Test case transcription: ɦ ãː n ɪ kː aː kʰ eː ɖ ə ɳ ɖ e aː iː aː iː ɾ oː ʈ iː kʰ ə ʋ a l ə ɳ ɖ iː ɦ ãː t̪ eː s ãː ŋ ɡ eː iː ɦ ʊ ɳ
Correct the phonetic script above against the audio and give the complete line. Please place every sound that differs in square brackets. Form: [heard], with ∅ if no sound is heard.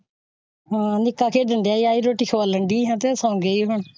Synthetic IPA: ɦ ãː n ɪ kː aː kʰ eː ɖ ə ɳ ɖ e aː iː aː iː ɾ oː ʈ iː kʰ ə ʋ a l ə ɳ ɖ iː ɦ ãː t̪ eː s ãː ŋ ɡ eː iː ɦ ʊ ɳ